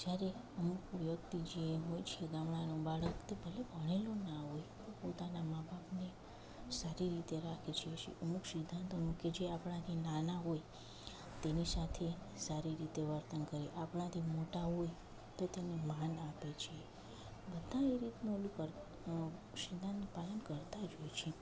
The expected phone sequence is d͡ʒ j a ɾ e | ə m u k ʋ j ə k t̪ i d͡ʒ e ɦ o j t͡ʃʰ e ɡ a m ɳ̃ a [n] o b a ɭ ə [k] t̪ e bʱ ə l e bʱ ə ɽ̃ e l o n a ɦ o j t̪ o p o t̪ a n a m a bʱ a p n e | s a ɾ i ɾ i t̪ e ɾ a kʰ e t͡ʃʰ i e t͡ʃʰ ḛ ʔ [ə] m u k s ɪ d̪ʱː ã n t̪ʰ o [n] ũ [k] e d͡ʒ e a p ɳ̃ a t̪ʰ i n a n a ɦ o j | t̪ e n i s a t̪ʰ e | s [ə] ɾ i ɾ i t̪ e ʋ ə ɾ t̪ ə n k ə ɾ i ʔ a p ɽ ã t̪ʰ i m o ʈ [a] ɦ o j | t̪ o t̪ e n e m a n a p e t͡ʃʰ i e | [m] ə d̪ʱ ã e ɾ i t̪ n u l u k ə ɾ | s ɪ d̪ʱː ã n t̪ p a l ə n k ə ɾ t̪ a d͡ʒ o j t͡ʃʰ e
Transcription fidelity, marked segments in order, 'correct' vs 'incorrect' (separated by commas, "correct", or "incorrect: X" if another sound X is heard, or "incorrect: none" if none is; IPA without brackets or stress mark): correct, correct, correct, correct, correct, incorrect: a, correct, incorrect: b